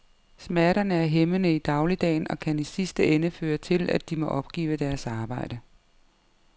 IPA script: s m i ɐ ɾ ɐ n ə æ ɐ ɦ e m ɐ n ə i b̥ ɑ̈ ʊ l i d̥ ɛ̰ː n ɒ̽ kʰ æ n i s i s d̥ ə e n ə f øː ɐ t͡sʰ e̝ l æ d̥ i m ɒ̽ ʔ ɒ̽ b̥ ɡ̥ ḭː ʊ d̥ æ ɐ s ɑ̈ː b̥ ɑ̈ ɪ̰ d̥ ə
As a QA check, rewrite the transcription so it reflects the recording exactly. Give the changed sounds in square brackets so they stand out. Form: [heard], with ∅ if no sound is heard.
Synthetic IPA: s m [æ] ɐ ɾ ɐ n ə æ ɐ ɦ e m [ə] n ə i [d̥] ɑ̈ ʊ l i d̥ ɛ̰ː n ɒ̽ kʰ æ n i s i s d̥ ə e n ə f øː ɐ t͡sʰ e̝ l æ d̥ i m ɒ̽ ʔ ɒ̽ b̥ ɡ̥ ḭː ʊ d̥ æ ɐ s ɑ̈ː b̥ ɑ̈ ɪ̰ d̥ ə

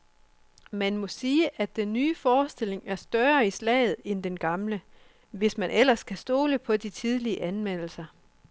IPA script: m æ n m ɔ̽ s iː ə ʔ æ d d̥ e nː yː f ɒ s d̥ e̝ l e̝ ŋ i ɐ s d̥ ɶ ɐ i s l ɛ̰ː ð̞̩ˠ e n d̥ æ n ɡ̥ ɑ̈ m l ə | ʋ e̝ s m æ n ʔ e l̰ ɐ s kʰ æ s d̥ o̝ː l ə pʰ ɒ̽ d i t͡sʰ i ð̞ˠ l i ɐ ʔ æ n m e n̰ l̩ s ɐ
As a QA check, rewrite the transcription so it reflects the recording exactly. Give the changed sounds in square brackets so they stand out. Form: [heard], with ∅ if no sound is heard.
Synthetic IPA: m æ n m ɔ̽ s iː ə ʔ æ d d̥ e nː yː f [ɒː] s d̥ e̝ l e̝ ŋ [æ] ɐ s d̥ ɶ ɐ i s l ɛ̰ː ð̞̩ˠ e n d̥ [e] n ɡ̥ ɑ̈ m l ə | ʋ e̝ s m æ n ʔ e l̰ ɐ s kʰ æ s d̥ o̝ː l ə pʰ ɒ̽ d i t͡sʰ i ð̞ˠ l i [ə] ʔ æ n m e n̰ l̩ s ɐ

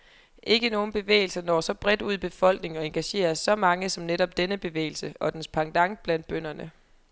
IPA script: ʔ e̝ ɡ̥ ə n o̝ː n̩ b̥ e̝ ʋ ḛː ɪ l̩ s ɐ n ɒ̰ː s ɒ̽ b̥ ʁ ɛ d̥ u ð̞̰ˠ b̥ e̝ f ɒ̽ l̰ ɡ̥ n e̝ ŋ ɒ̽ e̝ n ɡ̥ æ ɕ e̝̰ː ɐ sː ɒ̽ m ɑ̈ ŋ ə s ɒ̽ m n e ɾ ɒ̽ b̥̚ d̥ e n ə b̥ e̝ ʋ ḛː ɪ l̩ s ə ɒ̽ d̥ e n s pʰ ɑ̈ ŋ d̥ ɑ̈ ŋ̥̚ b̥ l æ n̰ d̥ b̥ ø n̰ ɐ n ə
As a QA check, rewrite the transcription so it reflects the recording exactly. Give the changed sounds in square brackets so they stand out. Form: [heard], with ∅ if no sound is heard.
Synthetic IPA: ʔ e̝ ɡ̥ ə n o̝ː n̩ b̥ e̝ ʋ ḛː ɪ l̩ s ɐ n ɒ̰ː s ɒ̽ b̥ ʁ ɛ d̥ u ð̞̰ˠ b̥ e̝ f ɒ̽ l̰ ɡ̥ n e̝ ŋ ɒ̽ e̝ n ɡ̥ æ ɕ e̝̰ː ɐ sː ɒ̽ m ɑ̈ ŋ ə s ɒ̽ m n e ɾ ɒ̽ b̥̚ d̥ e n ə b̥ e̝ ʋ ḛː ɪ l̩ s ə ɒ̽ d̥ e n s pʰ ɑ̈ ŋ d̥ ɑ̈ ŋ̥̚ b̥ l æ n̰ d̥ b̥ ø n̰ ɐ n ə

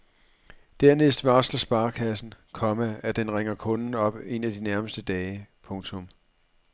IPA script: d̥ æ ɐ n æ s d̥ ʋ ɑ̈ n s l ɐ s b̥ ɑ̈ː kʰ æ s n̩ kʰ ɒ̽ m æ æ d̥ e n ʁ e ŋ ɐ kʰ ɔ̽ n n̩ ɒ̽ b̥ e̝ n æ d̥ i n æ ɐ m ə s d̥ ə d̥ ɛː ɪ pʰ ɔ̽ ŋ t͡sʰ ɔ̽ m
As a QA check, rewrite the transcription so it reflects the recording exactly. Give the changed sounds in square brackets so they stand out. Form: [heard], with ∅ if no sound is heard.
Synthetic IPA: d̥ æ ɐ n [e] s d̥ ʋ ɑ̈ [∅] s l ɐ s b̥ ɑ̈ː kʰ æ s n̩ kʰ ɒ̽ m æ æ d̥ e n ʁ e ŋ ɐ kʰ ɔ̽ n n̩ ɒ̽ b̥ e̝ n æ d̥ i n æ ɐ m ə s d̥ ə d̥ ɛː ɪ pʰ ɔ̽ ŋ t͡sʰ ɔ̽ m

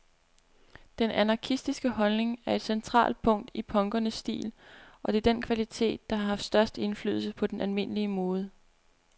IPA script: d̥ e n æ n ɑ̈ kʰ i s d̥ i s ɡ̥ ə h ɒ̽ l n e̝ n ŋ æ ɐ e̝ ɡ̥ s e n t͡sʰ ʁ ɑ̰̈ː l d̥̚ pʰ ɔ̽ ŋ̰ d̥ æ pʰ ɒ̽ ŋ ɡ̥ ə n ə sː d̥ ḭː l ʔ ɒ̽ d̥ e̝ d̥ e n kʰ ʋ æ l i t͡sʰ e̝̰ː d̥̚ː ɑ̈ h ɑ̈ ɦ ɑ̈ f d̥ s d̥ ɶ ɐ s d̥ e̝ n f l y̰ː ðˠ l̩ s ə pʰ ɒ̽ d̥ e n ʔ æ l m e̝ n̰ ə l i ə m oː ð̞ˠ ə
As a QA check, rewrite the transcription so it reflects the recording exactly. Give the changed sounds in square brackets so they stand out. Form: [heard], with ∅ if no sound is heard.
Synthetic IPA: d̥ e n æ n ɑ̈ kʰ i s d̥ i s ɡ̥ ə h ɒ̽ l n e̝ [∅] ŋ æ ɐ e̝ [d̥] s e n t͡sʰ ʁ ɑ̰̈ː l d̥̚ pʰ ɔ̽ ŋ̰ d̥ [i] pʰ ɒ̽ ŋ ɡ̥ [ɐ] n ə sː d̥ ḭː l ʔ ɒ̽ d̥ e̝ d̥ e n kʰ ʋ æ l i t͡sʰ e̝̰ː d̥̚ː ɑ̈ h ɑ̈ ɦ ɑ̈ f d̥ s d̥ ɶ ɐ s d̥ e̝ n f l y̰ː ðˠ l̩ s ə pʰ ɒ̽ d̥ e n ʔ æ l m e̝ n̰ ə l i ə m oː ð̞ˠ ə

